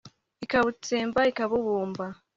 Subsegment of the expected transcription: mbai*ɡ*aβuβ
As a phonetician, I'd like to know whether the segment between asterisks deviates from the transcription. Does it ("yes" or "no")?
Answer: yes